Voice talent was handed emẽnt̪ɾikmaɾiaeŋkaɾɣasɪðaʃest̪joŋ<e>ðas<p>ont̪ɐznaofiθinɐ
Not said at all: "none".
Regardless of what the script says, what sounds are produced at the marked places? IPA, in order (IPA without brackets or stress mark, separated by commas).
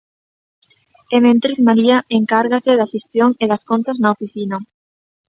e, k